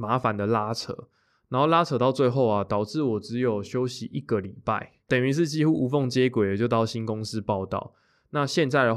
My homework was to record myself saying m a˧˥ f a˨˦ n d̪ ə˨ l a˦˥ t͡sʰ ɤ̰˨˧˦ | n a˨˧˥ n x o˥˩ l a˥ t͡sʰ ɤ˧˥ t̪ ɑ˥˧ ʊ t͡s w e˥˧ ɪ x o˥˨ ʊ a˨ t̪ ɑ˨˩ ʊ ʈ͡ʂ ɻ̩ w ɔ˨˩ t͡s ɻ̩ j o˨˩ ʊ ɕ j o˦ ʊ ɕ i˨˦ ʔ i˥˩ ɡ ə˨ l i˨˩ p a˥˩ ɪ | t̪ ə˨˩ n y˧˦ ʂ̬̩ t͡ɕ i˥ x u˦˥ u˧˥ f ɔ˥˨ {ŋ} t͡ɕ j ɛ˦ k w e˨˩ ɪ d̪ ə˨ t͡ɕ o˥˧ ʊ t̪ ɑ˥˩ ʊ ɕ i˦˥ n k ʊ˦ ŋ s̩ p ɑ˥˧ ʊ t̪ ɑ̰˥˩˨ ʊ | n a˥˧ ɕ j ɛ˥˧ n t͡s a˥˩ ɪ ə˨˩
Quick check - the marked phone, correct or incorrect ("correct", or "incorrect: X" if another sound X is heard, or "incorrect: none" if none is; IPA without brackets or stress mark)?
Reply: correct